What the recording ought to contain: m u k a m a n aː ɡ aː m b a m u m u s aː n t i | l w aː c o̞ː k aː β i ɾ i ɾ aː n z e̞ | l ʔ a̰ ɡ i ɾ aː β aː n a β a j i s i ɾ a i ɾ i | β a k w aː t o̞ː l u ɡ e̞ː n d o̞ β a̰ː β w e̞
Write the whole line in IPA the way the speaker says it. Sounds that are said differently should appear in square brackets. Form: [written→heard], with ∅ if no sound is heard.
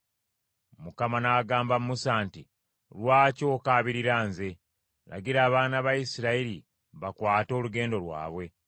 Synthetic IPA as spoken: m u k a m a n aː ɡ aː m b a m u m u s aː n t i | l w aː c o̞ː k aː β i ɾ i ɾ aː n z e̞ | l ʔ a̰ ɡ i ɾ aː β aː n a β a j i s i ɾ a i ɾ i | β a k w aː t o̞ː l u ɡ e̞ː n d o̞ [β→w] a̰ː β w e̞